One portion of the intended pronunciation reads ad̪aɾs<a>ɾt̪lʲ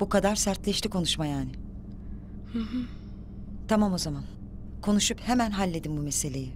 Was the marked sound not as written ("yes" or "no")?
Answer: yes